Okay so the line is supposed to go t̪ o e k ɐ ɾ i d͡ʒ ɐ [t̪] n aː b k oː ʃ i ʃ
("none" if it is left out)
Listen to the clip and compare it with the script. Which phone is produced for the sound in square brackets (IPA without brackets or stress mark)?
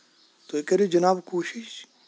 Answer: none